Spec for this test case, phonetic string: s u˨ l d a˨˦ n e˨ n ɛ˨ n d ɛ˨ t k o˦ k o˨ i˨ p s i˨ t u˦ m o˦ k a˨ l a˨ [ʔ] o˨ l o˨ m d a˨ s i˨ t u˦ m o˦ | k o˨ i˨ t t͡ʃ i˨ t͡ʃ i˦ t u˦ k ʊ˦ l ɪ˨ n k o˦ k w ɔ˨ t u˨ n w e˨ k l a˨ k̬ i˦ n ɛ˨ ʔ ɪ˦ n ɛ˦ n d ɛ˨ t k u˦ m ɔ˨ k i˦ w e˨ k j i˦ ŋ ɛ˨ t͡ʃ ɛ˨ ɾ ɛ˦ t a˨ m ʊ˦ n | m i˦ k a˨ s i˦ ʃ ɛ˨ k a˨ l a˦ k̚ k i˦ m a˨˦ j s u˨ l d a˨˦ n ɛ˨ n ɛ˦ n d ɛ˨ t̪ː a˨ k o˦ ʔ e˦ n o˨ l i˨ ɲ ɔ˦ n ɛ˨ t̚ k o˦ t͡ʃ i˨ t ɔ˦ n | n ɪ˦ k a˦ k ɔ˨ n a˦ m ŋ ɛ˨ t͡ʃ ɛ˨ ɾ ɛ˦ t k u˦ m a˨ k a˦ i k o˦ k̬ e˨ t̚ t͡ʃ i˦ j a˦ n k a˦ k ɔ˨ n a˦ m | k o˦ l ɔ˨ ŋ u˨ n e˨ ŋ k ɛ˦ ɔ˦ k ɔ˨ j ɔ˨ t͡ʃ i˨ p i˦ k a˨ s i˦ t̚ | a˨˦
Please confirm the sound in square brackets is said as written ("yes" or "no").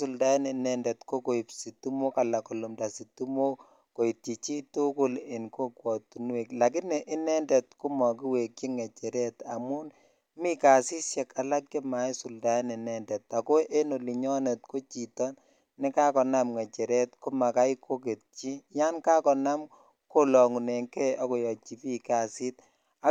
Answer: no